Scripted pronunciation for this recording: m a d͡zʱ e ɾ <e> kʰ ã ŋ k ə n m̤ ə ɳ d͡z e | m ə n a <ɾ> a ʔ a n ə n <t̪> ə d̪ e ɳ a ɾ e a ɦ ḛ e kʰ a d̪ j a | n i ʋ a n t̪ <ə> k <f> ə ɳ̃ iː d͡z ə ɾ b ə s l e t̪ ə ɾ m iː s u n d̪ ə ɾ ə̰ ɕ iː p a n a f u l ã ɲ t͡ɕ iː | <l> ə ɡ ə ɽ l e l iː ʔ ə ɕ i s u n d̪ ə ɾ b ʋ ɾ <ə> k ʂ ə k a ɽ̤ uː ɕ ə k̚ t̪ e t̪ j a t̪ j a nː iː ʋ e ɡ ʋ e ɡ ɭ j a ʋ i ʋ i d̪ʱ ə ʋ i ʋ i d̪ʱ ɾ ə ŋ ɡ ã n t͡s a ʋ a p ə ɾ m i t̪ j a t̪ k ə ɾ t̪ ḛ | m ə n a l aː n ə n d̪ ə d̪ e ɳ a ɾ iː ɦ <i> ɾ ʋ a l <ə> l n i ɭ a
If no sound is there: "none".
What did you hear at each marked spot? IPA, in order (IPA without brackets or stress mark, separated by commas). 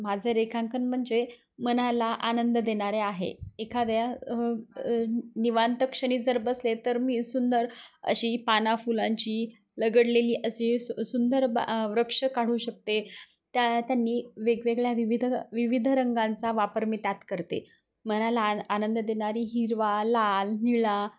e, l, d̪, ə, ʂ, l, ə, i, a